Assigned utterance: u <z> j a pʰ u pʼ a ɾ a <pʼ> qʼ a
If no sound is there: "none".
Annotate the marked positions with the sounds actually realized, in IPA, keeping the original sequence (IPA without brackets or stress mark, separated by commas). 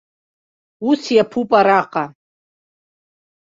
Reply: s, none